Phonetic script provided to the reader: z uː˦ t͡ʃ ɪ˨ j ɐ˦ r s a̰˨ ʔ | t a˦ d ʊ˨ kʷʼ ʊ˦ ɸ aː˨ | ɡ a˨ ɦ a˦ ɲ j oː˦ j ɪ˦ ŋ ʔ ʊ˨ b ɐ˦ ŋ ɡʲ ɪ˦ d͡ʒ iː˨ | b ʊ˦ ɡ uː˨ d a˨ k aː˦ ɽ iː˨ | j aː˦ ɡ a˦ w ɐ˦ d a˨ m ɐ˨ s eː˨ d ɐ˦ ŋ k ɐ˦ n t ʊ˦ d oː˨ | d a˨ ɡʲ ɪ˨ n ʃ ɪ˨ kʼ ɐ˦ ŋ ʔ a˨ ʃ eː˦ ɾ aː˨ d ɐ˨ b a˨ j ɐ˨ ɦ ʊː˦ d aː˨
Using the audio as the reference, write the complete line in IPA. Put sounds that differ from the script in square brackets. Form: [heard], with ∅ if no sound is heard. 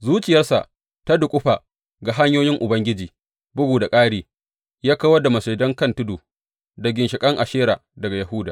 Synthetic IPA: z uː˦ t͡ʃ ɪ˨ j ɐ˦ r s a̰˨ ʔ | t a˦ d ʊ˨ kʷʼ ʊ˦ ɸ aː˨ | ɡ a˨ ɦ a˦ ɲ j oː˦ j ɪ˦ ŋ ʔ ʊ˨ b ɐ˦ ŋ ɡʲ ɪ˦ d͡ʒ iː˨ | b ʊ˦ ɡ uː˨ d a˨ [kʼ] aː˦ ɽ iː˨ | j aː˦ [k] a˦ w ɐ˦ d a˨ m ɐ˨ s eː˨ d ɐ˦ ŋ k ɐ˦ n t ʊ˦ d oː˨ | d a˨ ɡʲ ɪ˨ n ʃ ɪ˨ kʼ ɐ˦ ŋ ʔ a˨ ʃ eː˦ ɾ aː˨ d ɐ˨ [ɡ] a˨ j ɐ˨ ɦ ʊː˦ d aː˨